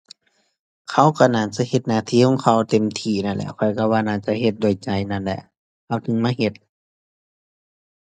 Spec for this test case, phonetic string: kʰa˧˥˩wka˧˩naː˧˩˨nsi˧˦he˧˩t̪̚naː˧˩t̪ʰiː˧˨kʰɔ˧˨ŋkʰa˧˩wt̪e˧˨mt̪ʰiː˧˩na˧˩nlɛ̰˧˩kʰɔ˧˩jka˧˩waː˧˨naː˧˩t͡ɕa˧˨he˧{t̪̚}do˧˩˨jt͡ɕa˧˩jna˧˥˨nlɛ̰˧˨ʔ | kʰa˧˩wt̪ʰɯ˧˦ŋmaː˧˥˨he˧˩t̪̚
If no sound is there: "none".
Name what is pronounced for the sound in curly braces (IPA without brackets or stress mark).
t̪̚